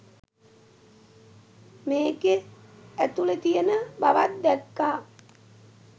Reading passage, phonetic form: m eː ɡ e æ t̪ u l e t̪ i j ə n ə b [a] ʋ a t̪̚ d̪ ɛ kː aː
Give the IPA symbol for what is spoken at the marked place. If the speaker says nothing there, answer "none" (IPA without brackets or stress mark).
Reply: a